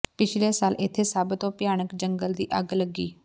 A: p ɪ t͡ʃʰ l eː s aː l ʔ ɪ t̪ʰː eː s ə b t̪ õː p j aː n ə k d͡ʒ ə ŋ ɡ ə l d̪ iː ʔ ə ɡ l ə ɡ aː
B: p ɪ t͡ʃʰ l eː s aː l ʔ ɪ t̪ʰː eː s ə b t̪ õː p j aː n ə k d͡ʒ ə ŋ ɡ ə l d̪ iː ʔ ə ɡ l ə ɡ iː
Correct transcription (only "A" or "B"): B